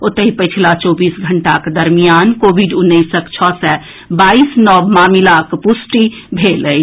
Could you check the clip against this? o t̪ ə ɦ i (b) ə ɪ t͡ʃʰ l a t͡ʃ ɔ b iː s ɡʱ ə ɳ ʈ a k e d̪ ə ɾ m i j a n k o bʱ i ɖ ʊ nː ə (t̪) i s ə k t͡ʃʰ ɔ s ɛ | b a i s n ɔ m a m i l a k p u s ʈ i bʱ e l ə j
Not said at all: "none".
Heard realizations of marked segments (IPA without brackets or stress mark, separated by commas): p, none